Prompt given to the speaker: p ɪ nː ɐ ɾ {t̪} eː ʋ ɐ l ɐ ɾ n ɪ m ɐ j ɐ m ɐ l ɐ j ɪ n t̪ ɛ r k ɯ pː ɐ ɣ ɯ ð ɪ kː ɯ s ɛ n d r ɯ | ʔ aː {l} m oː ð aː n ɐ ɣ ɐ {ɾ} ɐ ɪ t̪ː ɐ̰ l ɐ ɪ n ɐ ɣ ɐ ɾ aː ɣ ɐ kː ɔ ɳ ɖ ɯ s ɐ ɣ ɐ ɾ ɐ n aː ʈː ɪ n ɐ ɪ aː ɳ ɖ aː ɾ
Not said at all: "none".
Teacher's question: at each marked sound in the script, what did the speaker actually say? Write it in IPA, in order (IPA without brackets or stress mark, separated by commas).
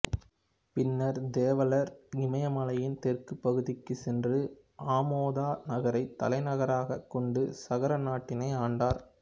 d̪, none, ɾ